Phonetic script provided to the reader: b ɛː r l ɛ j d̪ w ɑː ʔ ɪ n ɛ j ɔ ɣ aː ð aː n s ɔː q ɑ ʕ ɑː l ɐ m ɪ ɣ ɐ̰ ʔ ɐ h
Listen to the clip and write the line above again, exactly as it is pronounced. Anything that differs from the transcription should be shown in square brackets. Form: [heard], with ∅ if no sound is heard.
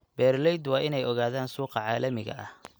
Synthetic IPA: b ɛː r l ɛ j d̪ w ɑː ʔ ɪ n ɛ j ɔ ɣ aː ð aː n s [uː] q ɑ ʕ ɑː l ɐ m ɪ ɣ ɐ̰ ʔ ɐ h